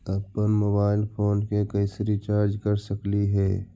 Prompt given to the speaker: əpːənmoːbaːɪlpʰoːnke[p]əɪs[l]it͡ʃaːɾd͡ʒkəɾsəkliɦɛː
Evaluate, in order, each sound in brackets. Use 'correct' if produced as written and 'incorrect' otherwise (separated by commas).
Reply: incorrect, incorrect